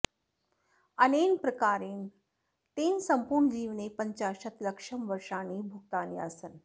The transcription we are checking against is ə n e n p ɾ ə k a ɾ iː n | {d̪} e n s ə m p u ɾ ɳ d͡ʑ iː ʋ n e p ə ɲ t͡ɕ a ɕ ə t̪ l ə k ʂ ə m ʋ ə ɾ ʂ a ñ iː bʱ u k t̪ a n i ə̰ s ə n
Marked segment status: incorrect: t̪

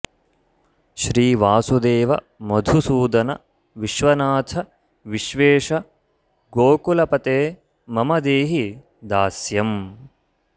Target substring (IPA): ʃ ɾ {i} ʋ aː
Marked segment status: incorrect: iː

